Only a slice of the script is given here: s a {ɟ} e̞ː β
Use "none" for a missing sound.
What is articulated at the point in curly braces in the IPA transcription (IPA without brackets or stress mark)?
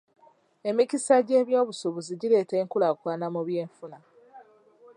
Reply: ɟ